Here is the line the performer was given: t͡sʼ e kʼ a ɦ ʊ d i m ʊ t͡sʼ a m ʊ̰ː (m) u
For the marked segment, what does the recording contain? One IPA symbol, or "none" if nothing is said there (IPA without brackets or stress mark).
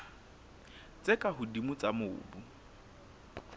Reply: b